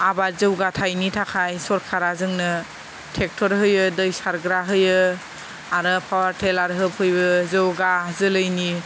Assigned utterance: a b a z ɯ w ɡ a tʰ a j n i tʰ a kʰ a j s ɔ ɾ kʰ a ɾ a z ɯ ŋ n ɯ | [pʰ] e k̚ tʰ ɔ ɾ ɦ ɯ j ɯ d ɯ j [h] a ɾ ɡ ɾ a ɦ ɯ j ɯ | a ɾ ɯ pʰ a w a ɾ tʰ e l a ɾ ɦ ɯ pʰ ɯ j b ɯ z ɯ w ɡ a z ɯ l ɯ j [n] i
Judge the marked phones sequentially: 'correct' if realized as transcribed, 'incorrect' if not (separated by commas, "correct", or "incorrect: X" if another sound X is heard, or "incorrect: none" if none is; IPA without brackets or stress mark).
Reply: incorrect: tʰ, incorrect: s, correct